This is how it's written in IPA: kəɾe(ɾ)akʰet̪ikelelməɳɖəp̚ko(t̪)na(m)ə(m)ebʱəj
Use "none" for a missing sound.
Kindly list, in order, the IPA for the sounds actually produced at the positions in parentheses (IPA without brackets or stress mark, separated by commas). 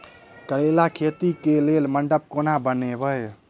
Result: l, none, b, n